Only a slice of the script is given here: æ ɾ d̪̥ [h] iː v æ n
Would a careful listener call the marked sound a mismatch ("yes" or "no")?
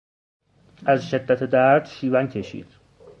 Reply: yes